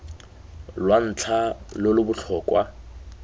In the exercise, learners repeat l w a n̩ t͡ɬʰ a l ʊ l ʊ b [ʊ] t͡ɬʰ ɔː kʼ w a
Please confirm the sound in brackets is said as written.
yes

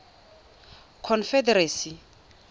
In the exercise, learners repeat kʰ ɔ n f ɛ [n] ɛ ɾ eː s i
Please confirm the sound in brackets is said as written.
no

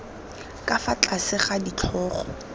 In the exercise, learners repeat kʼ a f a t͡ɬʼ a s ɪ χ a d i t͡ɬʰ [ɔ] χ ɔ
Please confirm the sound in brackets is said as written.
no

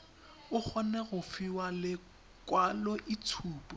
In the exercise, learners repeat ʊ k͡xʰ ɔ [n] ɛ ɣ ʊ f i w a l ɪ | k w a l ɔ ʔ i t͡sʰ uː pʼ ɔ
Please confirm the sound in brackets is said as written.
yes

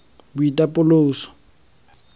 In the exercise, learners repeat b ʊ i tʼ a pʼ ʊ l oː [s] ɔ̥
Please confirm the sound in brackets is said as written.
yes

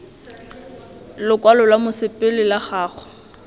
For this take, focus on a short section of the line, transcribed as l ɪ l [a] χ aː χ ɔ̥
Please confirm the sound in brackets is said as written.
yes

